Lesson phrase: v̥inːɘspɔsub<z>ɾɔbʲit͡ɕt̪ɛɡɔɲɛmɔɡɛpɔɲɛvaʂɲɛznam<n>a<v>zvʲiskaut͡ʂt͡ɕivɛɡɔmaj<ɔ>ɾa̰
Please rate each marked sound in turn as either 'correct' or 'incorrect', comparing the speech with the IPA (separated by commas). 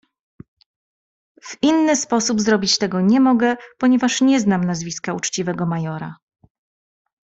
correct, correct, incorrect, correct